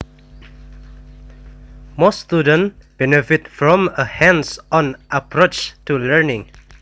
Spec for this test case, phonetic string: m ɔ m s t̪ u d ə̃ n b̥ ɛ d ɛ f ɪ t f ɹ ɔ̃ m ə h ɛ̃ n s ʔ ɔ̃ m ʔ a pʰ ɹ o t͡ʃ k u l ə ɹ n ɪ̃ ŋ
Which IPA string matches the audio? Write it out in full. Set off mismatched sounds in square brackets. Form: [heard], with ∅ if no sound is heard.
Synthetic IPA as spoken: m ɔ [∅] s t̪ u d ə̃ n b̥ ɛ [n] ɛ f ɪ t f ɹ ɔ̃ m ə h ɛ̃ n s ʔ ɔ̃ [n] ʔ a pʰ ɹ o t͡ʃ [t] u l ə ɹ n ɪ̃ ŋ